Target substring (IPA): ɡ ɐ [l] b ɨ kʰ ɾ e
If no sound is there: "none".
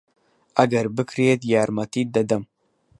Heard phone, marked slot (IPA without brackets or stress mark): ɾ